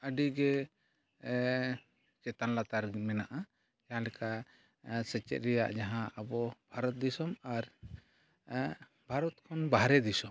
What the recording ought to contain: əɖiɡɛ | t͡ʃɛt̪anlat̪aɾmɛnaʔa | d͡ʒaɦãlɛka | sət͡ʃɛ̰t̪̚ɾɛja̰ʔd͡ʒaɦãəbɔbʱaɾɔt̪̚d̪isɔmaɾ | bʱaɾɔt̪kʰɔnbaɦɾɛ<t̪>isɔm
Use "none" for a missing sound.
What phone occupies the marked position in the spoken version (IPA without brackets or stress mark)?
d̪